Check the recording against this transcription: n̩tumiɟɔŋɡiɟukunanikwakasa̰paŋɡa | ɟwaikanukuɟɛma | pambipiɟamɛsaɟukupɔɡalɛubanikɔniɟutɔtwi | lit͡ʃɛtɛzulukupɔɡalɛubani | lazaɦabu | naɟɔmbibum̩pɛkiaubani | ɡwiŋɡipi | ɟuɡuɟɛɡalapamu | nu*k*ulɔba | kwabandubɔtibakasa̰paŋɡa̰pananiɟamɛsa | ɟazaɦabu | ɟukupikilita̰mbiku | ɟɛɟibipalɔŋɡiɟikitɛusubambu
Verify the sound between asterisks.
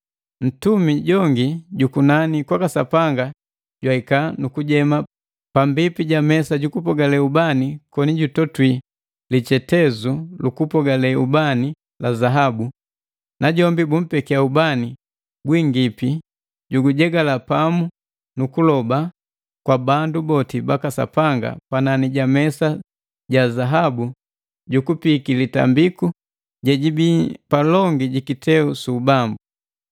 correct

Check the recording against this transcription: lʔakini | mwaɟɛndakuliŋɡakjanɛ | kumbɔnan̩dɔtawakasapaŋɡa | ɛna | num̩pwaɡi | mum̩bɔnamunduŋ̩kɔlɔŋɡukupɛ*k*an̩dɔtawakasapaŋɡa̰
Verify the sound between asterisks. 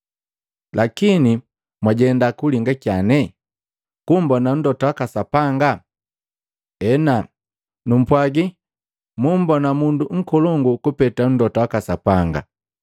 incorrect: t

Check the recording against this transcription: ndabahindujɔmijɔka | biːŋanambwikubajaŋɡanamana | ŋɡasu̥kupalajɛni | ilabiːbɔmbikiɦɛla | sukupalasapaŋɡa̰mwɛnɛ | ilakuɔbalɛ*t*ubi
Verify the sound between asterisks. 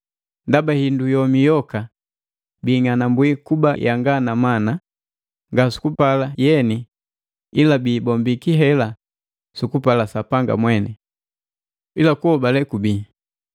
incorrect: k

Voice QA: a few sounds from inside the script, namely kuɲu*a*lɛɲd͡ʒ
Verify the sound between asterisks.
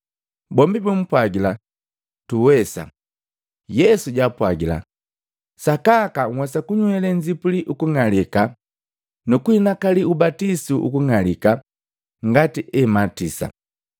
incorrect: ɛ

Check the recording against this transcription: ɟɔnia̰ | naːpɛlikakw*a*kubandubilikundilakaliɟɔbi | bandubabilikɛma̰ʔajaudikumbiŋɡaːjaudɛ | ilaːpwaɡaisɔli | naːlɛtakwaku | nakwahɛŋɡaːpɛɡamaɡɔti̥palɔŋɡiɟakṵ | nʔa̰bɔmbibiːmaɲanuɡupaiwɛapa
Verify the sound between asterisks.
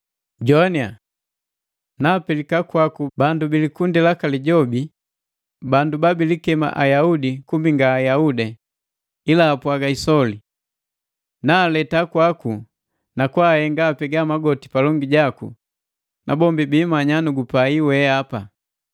correct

